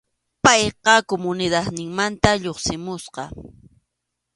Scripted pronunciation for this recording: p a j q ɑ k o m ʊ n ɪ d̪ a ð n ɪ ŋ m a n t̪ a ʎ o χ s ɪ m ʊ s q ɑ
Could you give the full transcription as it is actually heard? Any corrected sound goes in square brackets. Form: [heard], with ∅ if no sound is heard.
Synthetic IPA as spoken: p [ɑ] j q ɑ k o m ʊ n ɪ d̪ a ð n ɪ ŋ m a n t̪ a ʎ o χ s ɪ m ʊ s q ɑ